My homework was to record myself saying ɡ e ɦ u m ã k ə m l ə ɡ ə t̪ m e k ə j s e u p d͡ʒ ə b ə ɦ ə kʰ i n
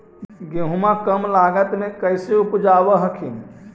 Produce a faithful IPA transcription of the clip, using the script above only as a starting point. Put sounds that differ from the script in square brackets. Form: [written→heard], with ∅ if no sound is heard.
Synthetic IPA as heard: ɡ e ɦ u m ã k ə m l [ə→a] ɡ ə t̪ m e k ə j s e u p d͡ʒ [ə→a] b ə ɦ ə kʰ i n